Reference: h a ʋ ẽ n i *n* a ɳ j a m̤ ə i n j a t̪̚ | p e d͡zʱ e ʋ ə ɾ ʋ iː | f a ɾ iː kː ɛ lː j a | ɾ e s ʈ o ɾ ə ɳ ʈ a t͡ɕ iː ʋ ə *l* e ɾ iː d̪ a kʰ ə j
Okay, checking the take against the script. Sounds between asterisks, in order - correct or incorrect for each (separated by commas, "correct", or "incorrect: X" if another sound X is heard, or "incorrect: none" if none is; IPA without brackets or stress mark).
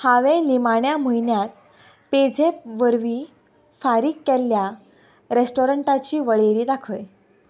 incorrect: m, incorrect: ɭ